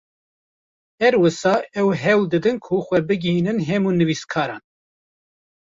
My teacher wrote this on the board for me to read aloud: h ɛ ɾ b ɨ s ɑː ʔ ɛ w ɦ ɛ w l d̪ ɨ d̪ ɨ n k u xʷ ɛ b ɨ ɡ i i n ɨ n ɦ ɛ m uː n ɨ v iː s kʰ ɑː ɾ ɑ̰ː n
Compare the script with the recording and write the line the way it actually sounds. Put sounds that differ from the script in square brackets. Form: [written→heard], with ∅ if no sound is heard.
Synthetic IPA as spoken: h ɛ ɾ [b→w] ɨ s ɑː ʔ ɛ w ɦ ɛ w l d̪ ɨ d̪ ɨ n [k→kʰ] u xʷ ɛ b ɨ ɡ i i n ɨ n ɦ ɛ m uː n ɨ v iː s kʰ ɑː ɾ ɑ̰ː n